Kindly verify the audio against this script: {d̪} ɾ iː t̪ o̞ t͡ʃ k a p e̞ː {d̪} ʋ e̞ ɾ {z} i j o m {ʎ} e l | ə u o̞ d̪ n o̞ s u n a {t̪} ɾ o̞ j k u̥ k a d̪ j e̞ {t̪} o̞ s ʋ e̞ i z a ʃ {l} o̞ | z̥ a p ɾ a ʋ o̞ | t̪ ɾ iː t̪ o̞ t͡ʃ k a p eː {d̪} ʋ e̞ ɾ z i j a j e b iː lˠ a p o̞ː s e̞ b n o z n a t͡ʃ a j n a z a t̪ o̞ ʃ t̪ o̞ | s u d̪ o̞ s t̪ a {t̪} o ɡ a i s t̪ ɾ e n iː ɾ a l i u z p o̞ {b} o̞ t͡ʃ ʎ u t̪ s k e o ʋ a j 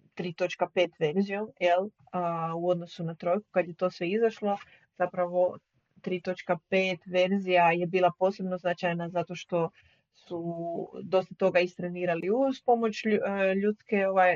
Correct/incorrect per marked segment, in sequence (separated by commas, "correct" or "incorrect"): incorrect, incorrect, correct, incorrect, correct, correct, correct, incorrect, correct, incorrect